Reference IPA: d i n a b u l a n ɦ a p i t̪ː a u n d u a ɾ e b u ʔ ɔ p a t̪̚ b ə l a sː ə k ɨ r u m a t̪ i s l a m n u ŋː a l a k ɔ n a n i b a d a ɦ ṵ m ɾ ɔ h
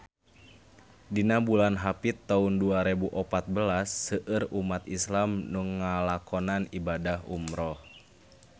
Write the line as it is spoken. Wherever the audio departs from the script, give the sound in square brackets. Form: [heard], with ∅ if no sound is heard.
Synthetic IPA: d i n a b u l a n ɦ a p i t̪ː a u n d u a ɾ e b u ʔ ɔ p a t̪̚ b ə l a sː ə [ʔ] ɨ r u m a t̪ i s l a m n u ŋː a l a k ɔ n a n i b a d a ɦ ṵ m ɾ ɔ h

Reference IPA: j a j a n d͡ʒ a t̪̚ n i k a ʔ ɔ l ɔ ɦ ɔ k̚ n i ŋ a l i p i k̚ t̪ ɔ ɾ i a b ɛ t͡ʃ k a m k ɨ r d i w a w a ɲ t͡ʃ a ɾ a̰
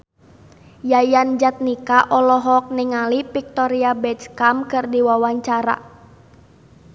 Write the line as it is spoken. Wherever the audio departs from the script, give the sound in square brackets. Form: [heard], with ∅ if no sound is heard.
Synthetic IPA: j a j a n d͡ʒ a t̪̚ n i k a ʔ ɔ l ɔ ɦ ɔ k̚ n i ŋ a l i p i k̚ t̪ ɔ ɾ i a b ɛ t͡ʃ k a m k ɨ r d i w a w a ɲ t͡ʃ a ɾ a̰

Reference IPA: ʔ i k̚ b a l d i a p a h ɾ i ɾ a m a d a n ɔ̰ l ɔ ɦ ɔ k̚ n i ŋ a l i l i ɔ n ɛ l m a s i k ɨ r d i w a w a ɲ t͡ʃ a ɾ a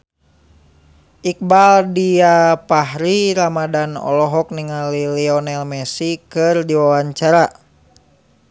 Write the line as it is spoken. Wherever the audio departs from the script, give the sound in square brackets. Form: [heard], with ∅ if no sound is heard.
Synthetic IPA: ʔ i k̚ b a l d i a p a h ɾ i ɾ a m a d a n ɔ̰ l ɔ ɦ ɔ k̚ n i ŋ a l i l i ɔ n ɛ l m [ɛ] s i k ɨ r d i w a w a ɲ t͡ʃ a ɾ a

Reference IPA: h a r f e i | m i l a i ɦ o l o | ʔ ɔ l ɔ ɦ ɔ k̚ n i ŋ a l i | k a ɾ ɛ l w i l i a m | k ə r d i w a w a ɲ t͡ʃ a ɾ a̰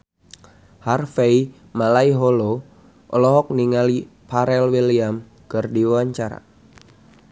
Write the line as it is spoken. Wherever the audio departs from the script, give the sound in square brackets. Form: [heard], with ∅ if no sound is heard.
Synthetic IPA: h a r f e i | m [a] l a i ɦ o l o | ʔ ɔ l ɔ ɦ ɔ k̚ n i ŋ a l i | [p] a ɾ ɛ l w i l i a m | k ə r d i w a w a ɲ t͡ʃ a ɾ a̰

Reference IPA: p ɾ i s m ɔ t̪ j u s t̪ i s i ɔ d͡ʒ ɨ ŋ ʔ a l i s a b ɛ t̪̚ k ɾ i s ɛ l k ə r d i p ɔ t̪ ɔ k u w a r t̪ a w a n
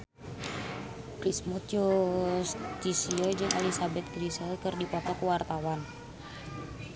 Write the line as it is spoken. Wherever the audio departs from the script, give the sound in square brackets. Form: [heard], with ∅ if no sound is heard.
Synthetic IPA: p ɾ i s m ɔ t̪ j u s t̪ i s i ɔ d͡ʒ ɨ ŋ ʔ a l i s a b ɛ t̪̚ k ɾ i s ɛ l k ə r d i p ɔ t̪ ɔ k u w a r t̪ a w a n

